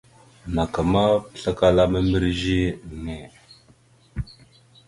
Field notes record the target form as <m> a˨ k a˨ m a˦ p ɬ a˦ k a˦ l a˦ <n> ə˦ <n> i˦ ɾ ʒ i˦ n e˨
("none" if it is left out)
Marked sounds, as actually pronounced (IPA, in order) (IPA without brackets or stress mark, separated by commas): n, m, m